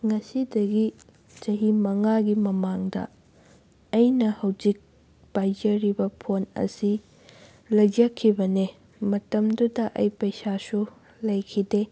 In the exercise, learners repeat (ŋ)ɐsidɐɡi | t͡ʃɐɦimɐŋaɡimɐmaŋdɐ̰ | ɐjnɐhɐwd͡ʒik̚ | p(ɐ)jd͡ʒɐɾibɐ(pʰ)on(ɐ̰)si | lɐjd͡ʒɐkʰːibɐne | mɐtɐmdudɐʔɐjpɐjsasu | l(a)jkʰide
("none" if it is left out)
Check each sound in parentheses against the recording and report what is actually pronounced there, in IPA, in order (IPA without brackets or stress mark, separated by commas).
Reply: ŋ, a, pʰ, ɐ̰, ɐ